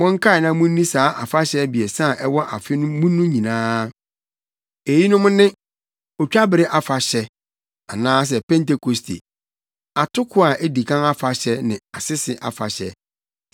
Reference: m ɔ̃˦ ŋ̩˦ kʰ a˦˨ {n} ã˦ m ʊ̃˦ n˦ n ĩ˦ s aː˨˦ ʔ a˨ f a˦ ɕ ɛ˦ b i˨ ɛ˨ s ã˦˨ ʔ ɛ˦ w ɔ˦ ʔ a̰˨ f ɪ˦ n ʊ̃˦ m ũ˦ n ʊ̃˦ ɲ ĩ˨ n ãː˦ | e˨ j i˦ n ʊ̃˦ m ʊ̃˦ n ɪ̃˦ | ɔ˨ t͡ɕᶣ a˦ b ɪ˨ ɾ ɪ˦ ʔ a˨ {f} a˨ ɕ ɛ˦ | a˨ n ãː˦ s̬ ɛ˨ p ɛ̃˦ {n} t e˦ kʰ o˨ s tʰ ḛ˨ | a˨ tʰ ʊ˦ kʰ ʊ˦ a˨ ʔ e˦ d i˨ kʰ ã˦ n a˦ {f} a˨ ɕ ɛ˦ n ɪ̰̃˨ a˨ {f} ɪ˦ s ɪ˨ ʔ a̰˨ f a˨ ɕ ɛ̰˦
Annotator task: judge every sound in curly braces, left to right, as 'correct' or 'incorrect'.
correct, correct, correct, correct, incorrect: s

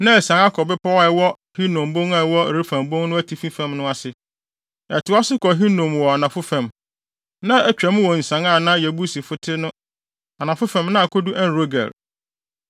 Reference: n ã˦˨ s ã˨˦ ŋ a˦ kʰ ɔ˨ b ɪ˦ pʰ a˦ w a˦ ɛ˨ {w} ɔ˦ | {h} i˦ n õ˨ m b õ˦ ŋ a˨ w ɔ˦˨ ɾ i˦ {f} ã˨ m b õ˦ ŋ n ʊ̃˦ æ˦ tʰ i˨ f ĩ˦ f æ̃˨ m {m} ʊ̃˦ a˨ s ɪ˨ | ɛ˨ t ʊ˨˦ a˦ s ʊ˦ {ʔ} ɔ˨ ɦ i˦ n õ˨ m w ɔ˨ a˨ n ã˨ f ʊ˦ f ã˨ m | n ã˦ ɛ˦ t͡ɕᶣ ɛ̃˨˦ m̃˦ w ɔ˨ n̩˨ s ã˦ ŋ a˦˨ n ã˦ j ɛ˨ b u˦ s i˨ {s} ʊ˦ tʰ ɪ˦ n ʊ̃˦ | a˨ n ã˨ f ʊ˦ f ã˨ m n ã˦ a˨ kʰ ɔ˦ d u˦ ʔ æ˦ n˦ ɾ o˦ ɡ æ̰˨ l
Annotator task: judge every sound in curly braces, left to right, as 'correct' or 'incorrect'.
correct, correct, correct, incorrect: n, incorrect: k, incorrect: f

